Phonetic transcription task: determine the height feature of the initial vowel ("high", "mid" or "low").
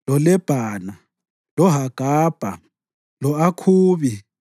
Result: mid